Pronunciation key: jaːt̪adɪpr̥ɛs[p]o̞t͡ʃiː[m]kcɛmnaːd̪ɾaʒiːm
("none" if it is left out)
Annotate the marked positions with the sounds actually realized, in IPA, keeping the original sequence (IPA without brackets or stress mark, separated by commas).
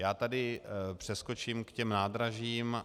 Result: k, m